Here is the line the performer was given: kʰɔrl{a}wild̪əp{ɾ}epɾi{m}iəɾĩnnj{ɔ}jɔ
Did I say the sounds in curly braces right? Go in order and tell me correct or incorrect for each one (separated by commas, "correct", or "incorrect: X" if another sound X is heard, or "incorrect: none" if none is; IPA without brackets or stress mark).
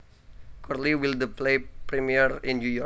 incorrect: i, incorrect: l, correct, incorrect: u